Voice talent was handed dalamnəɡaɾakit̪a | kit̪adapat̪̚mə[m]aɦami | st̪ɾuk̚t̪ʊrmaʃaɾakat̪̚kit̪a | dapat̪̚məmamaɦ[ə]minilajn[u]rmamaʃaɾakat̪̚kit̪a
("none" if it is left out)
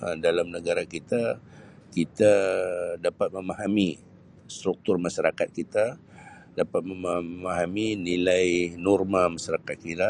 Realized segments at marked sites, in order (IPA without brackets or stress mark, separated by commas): m, a, ɔ